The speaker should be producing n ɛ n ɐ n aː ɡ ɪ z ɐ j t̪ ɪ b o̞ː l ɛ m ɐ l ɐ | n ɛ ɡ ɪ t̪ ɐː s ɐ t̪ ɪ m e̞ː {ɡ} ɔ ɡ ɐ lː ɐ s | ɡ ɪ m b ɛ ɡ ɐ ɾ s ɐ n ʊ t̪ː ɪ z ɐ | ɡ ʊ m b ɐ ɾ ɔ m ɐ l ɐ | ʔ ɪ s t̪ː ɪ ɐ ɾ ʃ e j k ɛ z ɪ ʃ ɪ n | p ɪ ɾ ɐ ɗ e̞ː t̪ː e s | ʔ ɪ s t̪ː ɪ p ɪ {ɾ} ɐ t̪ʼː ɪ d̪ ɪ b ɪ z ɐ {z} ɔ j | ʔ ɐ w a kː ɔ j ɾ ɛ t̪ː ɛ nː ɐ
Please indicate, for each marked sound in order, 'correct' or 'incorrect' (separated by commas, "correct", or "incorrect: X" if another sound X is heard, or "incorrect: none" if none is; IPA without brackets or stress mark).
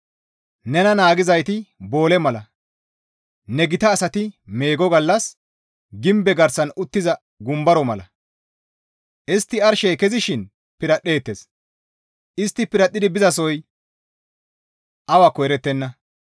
correct, correct, incorrect: s